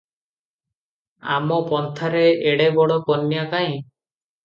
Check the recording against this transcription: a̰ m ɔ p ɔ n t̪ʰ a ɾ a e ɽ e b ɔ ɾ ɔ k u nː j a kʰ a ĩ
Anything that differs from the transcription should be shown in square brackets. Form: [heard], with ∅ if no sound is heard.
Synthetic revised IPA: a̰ m ɔ p ɔ n t̪ʰ a ɾ [e] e ɽ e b ɔ [ɽ] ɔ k [ɔ] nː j a [k] a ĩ